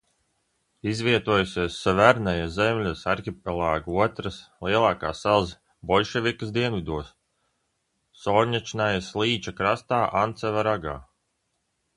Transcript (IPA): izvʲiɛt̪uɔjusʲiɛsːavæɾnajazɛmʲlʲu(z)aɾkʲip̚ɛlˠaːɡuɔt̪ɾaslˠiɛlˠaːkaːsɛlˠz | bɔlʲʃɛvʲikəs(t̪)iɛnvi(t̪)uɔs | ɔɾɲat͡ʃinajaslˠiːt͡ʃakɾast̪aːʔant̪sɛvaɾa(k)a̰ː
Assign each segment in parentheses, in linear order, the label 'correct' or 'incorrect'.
incorrect: s, incorrect: d̪, incorrect: d̪, incorrect: ɡ

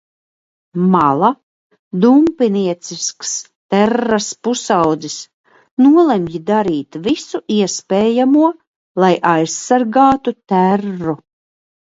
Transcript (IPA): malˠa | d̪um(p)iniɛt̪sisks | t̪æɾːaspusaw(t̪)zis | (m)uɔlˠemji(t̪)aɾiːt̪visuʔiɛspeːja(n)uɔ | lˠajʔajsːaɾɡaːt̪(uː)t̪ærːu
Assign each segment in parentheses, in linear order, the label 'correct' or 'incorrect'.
correct, incorrect: d̪, incorrect: n, incorrect: d̪, incorrect: m, incorrect: u

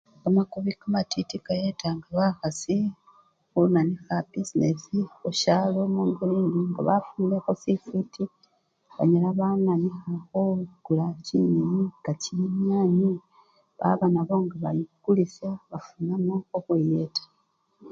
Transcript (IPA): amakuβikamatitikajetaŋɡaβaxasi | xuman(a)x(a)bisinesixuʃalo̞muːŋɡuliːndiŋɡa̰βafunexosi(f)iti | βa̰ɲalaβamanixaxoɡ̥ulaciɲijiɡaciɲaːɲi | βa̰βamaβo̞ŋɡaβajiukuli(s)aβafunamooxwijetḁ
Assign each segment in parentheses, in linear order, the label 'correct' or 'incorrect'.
incorrect: i, correct, correct, correct

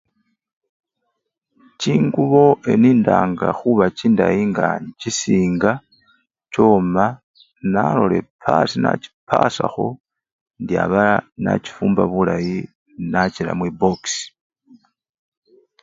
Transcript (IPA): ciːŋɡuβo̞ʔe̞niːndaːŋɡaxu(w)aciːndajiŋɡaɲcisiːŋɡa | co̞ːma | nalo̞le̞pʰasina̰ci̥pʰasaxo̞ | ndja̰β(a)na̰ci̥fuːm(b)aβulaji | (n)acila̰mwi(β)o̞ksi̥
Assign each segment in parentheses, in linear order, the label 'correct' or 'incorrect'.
incorrect: β, correct, correct, correct, incorrect: b

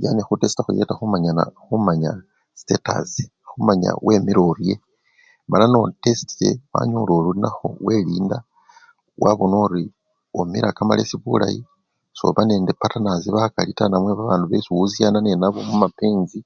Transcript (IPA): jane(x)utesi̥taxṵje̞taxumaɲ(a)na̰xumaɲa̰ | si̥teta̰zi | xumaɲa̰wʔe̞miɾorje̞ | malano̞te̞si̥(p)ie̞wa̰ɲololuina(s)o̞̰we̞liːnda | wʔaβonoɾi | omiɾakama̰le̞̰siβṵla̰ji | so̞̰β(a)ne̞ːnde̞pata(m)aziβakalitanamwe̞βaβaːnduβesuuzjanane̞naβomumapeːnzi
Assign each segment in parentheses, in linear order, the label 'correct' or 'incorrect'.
correct, correct, incorrect: t, incorrect: x, correct, incorrect: n

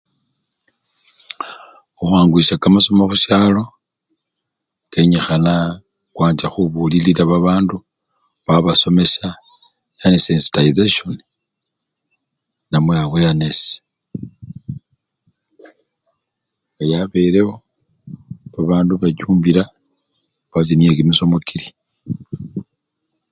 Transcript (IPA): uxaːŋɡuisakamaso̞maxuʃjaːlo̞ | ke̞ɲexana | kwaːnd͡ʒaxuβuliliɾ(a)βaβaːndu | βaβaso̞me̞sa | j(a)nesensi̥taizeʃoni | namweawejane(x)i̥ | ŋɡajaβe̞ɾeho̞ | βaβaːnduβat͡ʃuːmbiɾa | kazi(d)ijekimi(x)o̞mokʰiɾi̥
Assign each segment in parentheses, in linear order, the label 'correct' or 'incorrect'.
correct, correct, incorrect: s, incorrect: n, incorrect: s

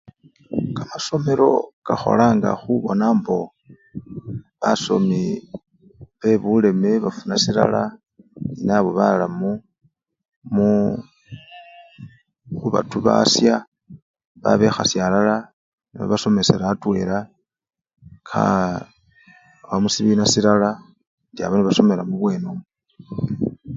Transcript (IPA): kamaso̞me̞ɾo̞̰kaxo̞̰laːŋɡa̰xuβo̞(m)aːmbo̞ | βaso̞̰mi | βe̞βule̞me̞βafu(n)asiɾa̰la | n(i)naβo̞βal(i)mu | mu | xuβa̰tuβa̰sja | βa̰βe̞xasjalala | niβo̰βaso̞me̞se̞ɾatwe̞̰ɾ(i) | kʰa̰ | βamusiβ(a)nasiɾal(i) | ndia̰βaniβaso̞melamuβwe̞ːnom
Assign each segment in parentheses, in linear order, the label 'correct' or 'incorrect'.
incorrect: n, correct, correct, incorrect: a, incorrect: a, incorrect: i, incorrect: a

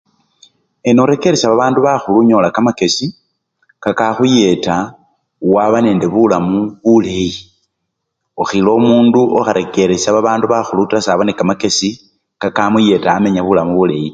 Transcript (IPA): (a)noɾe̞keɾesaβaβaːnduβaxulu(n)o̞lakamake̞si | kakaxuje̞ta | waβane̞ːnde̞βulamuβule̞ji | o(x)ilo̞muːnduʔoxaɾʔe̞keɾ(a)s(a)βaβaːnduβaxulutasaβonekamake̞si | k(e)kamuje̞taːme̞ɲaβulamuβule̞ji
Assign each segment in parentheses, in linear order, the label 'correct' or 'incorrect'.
incorrect: e, incorrect: ɲ, correct, incorrect: e, correct, incorrect: a

